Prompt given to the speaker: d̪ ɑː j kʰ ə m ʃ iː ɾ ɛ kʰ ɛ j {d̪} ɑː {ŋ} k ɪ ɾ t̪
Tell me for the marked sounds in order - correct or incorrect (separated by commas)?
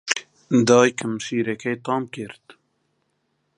incorrect, incorrect